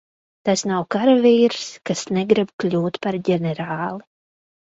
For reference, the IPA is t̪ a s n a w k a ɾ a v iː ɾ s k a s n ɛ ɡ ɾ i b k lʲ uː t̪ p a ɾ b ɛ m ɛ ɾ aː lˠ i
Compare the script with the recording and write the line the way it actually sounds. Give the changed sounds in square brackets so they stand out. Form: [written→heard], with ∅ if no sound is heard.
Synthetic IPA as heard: t̪ a s n a w k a ɾ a v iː ɾ s k a s n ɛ ɡ ɾ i b k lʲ uː t̪ p a ɾ [b→ɟ] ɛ [m→n] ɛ ɾ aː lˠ i